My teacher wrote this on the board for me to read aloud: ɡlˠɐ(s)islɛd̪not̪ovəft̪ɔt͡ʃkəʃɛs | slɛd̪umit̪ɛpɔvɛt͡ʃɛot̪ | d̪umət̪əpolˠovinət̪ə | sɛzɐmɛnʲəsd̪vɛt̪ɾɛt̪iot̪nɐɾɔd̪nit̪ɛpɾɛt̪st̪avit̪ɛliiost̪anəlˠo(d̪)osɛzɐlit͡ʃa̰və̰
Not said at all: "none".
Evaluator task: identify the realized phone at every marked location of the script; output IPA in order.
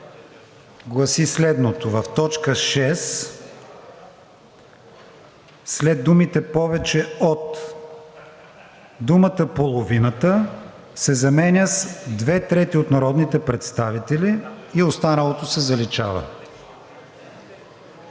s, t̪

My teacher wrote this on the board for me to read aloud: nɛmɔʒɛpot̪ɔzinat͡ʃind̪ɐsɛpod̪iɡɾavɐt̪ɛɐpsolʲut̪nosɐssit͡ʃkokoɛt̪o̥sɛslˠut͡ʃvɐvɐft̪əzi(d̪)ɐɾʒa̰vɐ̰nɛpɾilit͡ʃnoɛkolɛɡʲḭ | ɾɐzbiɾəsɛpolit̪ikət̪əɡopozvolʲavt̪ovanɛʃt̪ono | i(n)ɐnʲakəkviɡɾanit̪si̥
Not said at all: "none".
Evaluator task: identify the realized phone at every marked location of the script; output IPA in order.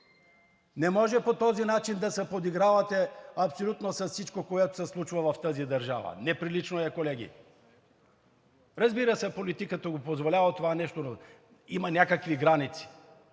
d̪, m

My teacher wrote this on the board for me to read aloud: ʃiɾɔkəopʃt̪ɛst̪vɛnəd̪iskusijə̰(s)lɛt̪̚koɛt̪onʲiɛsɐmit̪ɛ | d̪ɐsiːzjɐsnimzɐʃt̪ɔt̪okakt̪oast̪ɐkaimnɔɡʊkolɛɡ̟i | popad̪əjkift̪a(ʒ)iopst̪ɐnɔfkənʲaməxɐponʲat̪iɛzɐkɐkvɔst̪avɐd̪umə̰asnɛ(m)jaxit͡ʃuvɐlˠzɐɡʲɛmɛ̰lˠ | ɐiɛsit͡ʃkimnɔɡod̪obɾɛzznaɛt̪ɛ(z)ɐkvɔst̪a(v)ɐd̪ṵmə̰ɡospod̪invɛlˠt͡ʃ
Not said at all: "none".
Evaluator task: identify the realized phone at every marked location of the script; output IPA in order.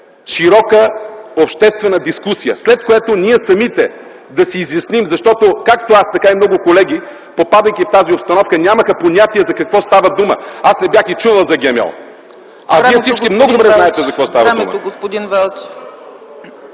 s, z, b, z, v

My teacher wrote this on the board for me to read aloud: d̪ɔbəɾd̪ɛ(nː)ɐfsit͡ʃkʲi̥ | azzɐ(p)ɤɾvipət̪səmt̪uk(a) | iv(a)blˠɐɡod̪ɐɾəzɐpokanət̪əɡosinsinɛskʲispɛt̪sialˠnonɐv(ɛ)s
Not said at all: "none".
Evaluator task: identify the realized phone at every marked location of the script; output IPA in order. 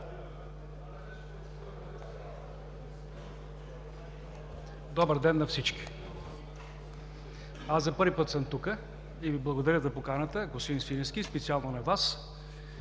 nː, p, ə, i, a

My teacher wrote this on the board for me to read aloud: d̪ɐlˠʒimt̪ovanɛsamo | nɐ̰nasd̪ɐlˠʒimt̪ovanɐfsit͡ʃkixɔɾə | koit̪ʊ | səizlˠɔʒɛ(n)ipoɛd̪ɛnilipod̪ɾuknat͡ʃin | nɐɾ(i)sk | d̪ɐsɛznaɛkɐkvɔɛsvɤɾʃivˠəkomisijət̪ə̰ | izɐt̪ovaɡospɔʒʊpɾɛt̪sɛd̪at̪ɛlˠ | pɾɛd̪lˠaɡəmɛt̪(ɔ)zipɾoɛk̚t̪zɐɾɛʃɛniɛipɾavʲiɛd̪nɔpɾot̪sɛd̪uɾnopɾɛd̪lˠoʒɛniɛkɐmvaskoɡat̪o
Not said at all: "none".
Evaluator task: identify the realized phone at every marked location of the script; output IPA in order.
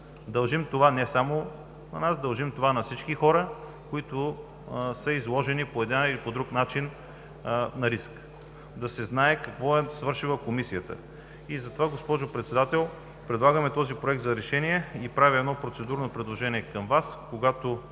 n, i, ɔ

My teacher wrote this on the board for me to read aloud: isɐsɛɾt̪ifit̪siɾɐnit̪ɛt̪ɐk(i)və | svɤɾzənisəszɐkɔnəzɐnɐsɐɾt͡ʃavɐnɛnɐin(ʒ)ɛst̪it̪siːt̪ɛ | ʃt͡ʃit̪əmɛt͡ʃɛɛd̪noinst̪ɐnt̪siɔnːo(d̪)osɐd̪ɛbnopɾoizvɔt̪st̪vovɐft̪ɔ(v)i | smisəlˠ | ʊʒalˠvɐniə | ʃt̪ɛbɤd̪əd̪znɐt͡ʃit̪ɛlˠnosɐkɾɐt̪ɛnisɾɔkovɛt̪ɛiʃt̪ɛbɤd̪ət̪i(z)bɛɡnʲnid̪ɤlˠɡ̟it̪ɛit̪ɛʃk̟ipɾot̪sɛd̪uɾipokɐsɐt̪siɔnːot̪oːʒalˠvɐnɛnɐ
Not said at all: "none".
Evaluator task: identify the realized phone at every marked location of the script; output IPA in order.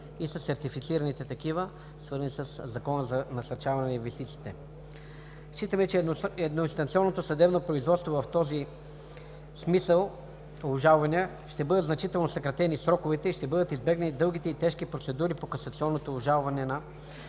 i, v, t̪, z, z

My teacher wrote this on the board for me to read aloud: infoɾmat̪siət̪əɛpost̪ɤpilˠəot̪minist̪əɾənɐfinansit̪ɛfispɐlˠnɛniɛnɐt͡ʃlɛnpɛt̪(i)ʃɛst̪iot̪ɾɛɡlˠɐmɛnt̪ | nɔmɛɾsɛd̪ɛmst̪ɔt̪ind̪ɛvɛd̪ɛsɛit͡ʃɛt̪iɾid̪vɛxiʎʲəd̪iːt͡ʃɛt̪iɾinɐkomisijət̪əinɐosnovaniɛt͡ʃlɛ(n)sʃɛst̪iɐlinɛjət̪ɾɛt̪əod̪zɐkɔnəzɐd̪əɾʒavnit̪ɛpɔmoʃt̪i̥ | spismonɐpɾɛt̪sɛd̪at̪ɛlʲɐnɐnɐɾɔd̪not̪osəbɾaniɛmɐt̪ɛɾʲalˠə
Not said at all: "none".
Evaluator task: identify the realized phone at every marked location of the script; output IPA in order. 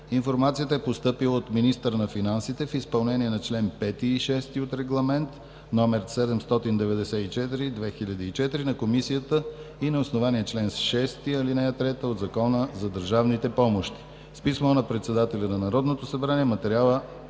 iː, n

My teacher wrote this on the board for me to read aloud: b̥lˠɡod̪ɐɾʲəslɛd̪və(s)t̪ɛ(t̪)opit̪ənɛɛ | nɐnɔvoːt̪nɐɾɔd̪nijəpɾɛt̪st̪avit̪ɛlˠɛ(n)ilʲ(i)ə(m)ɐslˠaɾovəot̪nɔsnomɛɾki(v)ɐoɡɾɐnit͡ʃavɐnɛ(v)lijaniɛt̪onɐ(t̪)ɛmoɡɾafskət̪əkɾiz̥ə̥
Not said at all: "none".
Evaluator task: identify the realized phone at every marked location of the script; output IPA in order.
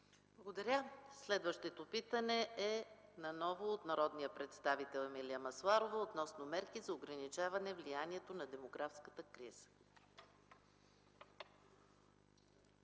ʃ, t̪, m, i, m, z, v, d̪

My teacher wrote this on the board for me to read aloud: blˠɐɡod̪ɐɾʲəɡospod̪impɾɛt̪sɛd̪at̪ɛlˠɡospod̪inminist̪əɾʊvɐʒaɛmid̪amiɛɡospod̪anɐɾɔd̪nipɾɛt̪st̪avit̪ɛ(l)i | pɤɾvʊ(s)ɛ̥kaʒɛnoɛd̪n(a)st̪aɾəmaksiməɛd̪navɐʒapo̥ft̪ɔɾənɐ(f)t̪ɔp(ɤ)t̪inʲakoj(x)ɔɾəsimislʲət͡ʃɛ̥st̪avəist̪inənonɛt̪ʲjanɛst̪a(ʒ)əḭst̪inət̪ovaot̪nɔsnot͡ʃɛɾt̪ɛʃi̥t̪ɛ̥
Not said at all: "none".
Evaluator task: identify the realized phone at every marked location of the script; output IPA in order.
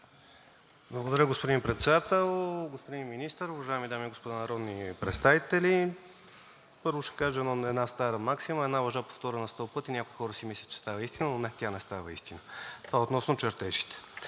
l, ʃ, a, s, ɤ, x, v

